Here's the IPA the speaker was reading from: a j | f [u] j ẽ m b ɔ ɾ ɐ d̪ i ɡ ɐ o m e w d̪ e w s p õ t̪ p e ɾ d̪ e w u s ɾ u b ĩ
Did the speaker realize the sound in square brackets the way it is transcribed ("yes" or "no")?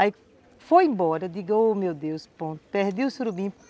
no